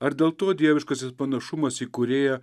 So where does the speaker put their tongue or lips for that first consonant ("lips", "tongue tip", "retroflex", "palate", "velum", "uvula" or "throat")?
tongue tip